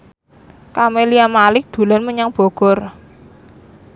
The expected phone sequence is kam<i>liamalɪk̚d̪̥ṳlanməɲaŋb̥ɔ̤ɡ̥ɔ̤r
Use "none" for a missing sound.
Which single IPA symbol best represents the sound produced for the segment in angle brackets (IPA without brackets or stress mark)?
e